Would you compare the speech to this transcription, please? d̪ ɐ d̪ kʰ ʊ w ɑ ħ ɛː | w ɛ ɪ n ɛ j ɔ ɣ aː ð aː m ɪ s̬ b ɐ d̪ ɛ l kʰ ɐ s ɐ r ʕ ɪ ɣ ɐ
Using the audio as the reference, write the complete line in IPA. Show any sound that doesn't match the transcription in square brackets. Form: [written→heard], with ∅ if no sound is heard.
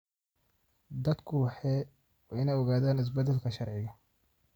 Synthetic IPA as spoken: d̪ ɐ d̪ kʰ ʊ w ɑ ħ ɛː | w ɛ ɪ n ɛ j ɔ ɣ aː ð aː [m→n] ɪ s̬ b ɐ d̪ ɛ l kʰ ɐ [s→ʃ] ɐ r ʕ ɪ ɣ ɐ